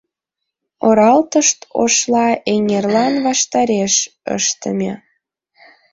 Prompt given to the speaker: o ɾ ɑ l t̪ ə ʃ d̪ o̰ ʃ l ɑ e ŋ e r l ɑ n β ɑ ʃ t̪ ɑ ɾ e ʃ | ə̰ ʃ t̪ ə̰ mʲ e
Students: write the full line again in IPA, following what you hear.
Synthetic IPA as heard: o ɾ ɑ l t̪ ə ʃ t̪ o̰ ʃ l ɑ e ŋ e r l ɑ n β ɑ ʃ t̪ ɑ ɾ e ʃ | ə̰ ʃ t̪ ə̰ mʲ e